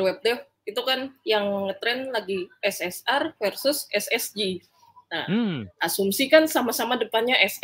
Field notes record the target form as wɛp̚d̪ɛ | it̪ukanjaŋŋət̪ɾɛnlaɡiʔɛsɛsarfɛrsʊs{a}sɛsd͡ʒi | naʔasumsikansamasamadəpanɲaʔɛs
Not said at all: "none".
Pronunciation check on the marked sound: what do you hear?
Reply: ɛ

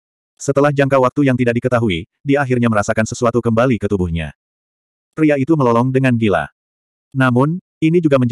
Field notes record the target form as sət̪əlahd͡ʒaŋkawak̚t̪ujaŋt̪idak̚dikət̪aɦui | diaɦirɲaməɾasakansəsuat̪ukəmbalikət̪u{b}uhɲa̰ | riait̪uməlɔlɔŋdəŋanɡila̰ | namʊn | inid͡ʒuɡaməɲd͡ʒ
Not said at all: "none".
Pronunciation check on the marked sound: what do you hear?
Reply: b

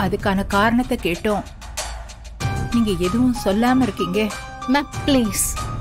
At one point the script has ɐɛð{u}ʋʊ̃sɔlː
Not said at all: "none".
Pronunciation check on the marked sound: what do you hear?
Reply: ɯ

